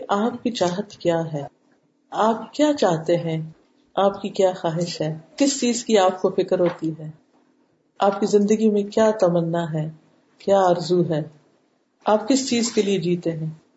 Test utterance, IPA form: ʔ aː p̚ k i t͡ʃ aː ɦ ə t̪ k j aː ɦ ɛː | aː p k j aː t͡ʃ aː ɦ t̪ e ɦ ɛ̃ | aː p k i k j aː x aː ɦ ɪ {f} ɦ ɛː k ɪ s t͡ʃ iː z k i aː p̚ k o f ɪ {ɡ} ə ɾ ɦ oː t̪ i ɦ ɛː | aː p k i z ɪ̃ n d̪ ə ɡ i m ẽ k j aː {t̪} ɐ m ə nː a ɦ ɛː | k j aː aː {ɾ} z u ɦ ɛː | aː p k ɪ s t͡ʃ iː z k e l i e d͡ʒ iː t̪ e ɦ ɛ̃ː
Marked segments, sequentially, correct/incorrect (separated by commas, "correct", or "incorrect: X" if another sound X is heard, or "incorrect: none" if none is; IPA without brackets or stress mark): incorrect: ʃ, incorrect: k, correct, correct